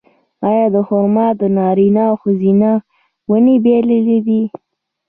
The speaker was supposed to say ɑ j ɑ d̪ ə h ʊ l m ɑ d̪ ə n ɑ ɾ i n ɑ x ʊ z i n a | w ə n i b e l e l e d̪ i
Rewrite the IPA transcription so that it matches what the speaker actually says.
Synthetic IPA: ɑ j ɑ d̪ ə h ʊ ɾ m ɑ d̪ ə n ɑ ɾ i n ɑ x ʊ z i n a | w ə n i b e l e l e d̪ i